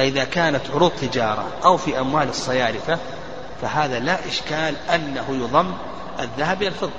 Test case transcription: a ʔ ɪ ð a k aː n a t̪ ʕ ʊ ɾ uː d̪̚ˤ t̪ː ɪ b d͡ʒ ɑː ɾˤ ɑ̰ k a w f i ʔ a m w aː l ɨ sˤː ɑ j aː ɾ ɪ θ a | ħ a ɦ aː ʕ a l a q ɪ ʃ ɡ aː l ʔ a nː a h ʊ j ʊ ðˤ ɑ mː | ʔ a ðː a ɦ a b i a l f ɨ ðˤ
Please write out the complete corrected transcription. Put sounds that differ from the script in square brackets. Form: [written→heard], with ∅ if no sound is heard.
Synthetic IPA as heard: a ʔ ɪ ð a k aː n a t̪ ʕ ʊ ɾ uː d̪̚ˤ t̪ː ɪ [b→∅] d͡ʒ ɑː ɾˤ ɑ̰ [k→ʔ] a w f i ʔ a m w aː l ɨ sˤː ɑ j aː ɾ ɪ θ a | [ħ→f] a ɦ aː [ʕ→ð] a l a [q→ʔ] ɪ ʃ [ɡ→k] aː l ʔ a nː a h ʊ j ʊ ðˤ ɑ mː | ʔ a ðː a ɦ a b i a l f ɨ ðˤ